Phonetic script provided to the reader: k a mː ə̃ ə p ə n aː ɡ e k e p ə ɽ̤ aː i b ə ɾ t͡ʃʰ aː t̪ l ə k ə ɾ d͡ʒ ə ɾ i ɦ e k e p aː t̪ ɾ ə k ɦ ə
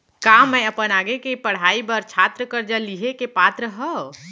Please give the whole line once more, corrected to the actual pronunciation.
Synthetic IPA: k a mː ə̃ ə p ə n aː ɡ e k e p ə ɽ̤ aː i b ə ɾ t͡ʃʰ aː t̪ ɾ ə k ə ɾ d͡ʒ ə l i ɦ e k e p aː t̪ ɾ ə ɦ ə